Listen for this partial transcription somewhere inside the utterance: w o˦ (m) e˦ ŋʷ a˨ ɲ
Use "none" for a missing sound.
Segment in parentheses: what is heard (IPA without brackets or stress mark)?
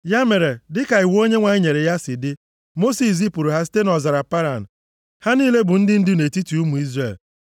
ɲ